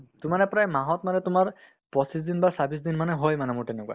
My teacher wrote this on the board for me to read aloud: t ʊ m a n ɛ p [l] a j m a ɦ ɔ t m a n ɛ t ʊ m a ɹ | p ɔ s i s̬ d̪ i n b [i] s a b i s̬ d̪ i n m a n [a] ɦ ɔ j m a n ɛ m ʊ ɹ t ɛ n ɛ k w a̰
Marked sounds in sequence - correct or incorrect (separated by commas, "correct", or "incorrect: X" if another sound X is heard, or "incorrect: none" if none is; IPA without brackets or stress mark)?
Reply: incorrect: ɹ, incorrect: a, incorrect: ɛ